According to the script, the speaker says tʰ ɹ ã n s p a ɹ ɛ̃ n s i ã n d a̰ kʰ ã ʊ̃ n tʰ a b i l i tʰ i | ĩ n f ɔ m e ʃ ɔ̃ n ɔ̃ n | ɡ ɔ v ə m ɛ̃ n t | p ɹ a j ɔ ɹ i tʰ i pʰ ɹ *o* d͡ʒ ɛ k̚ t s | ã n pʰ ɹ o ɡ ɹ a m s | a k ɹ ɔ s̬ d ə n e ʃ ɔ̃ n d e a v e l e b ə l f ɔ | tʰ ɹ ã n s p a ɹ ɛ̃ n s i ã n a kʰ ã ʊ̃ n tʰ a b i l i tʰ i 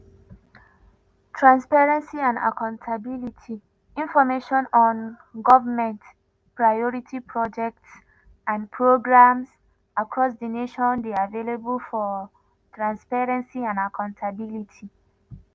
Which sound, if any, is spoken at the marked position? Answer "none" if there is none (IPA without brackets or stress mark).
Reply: ɔ